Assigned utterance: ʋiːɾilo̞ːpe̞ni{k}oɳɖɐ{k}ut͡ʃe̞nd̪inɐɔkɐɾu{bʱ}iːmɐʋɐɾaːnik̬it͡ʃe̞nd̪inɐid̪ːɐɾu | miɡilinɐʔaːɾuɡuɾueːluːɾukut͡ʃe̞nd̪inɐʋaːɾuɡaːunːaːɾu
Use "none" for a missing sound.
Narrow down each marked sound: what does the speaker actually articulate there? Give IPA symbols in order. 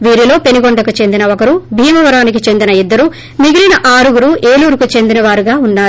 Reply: ɡ, k, bʱ

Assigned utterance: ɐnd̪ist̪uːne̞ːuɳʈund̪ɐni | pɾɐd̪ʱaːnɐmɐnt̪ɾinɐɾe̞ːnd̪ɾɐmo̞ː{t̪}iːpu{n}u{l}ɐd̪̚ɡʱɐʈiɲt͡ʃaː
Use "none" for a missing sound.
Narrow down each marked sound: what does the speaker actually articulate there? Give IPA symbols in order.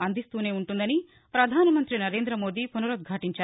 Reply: d̪, n, ɾ

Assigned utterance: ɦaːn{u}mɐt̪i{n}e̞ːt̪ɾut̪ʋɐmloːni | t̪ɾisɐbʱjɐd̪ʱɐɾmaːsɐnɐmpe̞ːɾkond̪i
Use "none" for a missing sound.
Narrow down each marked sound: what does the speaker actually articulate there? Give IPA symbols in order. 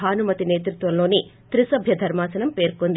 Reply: u, n

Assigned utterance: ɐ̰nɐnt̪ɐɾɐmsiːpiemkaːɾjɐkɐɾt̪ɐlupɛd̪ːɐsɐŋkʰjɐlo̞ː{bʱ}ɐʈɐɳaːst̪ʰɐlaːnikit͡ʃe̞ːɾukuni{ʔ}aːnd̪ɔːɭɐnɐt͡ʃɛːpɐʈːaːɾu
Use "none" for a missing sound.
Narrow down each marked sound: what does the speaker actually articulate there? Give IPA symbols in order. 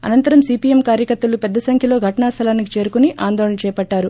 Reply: ɡʱ, ʔ

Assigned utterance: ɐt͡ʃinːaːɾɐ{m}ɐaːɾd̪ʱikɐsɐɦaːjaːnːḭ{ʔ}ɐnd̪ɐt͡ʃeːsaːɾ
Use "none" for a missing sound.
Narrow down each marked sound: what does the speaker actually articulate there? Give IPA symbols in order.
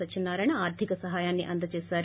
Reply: ɳ, ʔ

